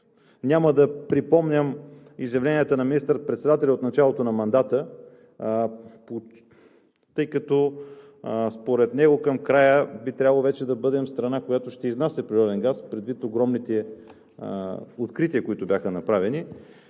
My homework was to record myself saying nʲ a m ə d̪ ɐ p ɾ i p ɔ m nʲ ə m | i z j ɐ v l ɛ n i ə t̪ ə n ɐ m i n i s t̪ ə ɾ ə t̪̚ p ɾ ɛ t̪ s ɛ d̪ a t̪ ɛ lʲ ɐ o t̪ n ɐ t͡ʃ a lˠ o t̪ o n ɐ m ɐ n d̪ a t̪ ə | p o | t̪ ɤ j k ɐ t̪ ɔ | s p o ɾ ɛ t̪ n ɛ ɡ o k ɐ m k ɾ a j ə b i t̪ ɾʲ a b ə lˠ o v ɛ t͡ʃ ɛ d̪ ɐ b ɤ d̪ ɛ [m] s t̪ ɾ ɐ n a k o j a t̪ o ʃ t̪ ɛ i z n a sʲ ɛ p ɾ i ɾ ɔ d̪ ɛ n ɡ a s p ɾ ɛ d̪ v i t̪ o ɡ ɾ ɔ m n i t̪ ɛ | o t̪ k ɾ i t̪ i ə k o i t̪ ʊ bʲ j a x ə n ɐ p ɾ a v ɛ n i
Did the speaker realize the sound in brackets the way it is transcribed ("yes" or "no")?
yes